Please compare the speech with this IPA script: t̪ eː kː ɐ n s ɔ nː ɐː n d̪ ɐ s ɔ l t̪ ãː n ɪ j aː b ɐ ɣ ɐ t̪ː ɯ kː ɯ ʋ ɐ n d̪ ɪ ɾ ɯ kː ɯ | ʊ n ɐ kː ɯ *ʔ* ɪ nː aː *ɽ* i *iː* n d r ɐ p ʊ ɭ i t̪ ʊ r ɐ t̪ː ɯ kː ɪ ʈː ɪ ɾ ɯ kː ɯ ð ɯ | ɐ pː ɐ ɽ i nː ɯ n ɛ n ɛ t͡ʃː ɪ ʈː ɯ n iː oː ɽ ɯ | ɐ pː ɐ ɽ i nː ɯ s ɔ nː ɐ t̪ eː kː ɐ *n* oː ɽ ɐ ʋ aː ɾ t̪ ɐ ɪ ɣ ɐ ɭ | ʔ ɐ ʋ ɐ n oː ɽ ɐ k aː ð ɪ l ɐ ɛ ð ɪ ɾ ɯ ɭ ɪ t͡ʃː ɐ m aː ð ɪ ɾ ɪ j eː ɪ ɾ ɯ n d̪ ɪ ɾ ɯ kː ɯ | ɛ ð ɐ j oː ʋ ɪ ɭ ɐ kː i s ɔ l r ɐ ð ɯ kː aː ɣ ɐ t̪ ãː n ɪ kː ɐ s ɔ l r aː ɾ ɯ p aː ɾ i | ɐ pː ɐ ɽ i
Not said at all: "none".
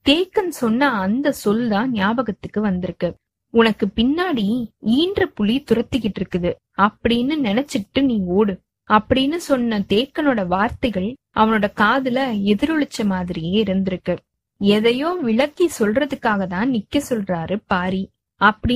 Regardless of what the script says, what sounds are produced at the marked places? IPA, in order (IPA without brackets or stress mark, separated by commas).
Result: p, ɽ, iː, n